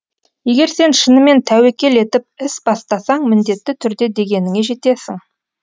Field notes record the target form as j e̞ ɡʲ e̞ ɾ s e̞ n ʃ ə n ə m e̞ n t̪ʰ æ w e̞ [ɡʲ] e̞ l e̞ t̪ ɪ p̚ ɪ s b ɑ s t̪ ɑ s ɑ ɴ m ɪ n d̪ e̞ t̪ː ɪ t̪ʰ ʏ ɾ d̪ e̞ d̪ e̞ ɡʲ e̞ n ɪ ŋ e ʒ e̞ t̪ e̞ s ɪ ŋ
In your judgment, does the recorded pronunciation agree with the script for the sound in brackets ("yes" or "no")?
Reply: no